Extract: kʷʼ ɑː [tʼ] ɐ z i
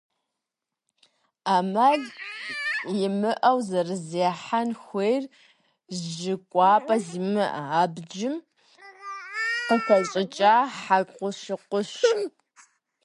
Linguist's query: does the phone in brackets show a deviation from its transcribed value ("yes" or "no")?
yes